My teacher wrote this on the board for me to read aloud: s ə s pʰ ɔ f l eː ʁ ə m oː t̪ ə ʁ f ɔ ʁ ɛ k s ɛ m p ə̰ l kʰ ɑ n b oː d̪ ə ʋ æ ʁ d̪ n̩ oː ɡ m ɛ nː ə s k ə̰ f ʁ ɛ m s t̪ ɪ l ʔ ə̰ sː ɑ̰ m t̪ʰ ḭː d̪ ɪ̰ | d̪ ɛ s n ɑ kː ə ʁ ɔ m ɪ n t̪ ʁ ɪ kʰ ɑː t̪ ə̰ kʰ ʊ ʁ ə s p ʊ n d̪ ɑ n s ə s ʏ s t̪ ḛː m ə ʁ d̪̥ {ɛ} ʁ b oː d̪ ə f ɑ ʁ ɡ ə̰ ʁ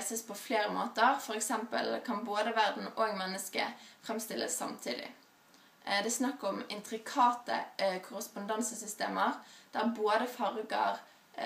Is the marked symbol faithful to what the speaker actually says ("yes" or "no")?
no